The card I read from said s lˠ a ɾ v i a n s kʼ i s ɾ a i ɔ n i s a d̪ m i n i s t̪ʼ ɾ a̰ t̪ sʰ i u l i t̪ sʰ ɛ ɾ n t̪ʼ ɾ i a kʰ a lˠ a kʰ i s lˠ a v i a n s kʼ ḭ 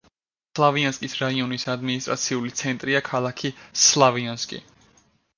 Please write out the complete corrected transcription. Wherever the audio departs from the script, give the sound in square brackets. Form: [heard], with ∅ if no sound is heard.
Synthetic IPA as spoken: s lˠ a [∅] v i a n s kʼ i s ɾ a i ɔ n i s a d̪ m i n i s t̪ʼ ɾ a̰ t̪ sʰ i u l i t̪ sʰ ɛ [∅] n t̪ʼ ɾ i a kʰ a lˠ a kʰ i s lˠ a v i a n s kʼ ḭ